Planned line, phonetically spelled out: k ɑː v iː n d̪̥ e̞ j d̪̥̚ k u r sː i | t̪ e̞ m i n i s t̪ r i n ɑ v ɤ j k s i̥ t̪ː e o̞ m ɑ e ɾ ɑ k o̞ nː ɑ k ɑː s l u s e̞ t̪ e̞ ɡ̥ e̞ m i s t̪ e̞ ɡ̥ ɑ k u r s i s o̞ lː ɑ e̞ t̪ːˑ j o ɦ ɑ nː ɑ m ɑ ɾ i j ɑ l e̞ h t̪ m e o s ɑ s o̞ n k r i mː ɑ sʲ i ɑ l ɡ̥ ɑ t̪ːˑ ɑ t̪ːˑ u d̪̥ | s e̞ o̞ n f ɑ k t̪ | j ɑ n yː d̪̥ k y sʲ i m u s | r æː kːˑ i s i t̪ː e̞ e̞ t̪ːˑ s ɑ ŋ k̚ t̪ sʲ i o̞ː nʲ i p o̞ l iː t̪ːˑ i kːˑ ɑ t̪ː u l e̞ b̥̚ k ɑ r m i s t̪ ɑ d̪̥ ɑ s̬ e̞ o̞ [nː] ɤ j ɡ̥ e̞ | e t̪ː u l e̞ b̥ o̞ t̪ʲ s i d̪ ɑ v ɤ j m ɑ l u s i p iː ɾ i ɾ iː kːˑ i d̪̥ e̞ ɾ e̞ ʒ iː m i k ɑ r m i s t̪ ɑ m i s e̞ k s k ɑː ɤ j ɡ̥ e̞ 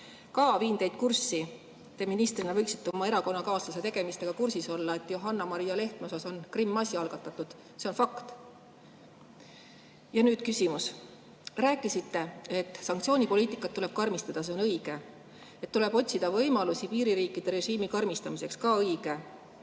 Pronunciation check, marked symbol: incorrect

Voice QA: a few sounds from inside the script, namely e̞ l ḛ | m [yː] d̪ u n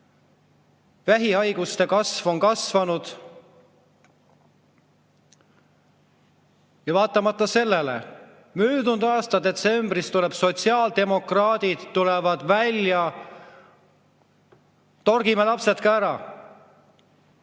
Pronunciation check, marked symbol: correct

